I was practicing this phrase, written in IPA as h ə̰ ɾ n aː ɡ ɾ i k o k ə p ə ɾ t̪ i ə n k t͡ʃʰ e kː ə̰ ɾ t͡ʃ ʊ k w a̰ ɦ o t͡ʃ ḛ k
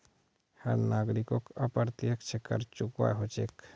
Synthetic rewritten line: h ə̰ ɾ n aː ɡ ɾ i k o k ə p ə ɾ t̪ j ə k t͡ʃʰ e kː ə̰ ɾ t͡ʃ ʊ k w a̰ ɦ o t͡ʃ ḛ k